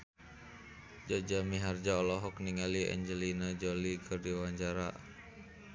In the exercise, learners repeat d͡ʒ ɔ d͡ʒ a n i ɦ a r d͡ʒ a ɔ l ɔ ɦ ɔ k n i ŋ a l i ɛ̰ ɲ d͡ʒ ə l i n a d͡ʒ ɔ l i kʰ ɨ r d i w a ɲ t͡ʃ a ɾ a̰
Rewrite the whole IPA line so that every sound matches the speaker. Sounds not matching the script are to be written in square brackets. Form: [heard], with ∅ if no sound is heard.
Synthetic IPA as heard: d͡ʒ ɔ d͡ʒ a [m] i ɦ a r d͡ʒ a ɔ l ɔ ɦ ɔ k n i ŋ a l i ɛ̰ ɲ d͡ʒ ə l i n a d͡ʒ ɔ l i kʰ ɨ r d i w a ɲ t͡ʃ a ɾ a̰

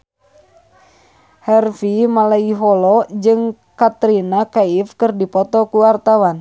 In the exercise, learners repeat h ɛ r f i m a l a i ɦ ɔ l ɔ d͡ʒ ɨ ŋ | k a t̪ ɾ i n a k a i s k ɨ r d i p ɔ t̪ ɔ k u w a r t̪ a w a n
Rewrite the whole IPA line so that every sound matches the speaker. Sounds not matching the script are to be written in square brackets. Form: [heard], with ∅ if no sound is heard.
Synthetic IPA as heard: h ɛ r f i m a l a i ɦ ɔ l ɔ d͡ʒ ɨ ŋ | k a t̪ ɾ i n a k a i [f] k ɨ r d i p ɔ t̪ ɔ k u w a r t̪ a w a n

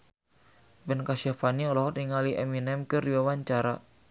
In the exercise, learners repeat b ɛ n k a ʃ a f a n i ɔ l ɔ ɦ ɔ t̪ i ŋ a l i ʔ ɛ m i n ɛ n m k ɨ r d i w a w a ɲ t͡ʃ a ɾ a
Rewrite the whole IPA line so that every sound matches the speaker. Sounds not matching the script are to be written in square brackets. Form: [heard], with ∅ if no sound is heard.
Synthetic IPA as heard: b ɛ n k a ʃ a f a n i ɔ l ɔ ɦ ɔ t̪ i ŋ a l i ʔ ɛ m i n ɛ [∅] m k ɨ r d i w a w a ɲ t͡ʃ a ɾ a

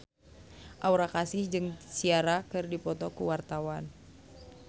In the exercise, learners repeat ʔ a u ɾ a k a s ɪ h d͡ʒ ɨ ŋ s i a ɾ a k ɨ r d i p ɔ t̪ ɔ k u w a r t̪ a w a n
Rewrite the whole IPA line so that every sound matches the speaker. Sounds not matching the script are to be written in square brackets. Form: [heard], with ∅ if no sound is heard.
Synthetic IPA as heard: ʔ a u ɾ a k a s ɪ h d͡ʒ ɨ ŋ s i a ɾ a k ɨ r d i p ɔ t̪ ɔ k u w a r t̪ a w a n

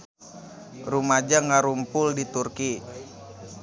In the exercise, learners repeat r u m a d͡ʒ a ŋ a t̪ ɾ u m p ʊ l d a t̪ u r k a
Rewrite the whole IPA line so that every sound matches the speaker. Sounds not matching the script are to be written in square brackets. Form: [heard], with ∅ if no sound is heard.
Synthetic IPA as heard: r u m a d͡ʒ a ŋ a [∅] ɾ u m p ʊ l d [i] t̪ u r k [i]

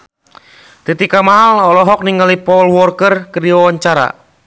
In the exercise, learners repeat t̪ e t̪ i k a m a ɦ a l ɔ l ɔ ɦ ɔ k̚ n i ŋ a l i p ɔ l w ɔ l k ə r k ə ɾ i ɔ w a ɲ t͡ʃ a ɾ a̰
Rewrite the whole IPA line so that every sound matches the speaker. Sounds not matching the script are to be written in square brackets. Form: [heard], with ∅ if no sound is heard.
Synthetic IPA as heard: t̪ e t̪ i k a m a ɦ a l ɔ l ɔ ɦ ɔ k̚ n i ŋ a l i p ɔ l w ɔ [r] k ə r k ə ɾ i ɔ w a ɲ t͡ʃ a ɾ a̰

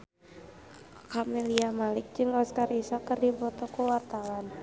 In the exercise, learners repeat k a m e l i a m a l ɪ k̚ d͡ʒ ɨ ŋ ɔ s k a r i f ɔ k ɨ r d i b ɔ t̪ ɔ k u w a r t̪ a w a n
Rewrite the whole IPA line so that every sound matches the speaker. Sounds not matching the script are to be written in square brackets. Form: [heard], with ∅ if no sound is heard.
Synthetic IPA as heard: k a m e l i a m a l ɪ k̚ d͡ʒ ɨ ŋ ɔ s k a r i [s] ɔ k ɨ r d i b ɔ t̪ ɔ k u w a r t̪ a w a n

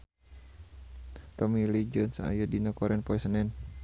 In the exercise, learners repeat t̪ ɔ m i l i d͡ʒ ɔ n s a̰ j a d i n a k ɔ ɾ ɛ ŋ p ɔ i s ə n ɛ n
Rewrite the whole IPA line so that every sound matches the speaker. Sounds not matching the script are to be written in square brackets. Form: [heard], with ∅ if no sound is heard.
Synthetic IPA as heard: t̪ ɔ m i l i d͡ʒ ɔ n s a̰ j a d i n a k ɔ ɾ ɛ [n] p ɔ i s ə n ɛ n

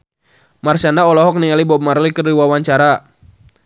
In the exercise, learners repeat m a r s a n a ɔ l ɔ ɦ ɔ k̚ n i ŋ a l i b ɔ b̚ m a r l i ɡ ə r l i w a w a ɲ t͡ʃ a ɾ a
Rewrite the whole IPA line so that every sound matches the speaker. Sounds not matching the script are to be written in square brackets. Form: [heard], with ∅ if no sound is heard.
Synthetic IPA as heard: m a r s a n a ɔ l ɔ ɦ ɔ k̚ n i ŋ a l i b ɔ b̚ m a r l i [k] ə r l i w a w a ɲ t͡ʃ a ɾ a

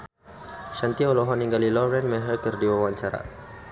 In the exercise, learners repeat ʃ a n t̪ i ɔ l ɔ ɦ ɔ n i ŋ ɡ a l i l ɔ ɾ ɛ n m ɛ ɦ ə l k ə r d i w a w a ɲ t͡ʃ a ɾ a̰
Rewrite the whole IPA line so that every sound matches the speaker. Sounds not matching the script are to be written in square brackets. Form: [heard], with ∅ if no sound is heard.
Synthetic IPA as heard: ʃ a n t̪ i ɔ l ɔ ɦ ɔ n i ŋ ɡ a l i l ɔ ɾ ɛ n m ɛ ɦ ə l k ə r d i w a w a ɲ t͡ʃ a ɾ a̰

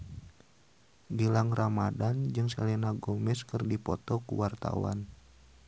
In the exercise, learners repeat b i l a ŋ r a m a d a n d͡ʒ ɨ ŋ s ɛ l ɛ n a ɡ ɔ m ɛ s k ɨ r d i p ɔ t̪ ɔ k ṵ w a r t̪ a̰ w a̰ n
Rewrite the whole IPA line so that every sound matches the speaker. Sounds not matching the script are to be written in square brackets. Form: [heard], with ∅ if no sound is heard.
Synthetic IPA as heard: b i l a ŋ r a m a d a n d͡ʒ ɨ ŋ s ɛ l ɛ n a ɡ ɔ m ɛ s k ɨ r d i p ɔ t̪ ɔ k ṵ w a r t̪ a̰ w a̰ n

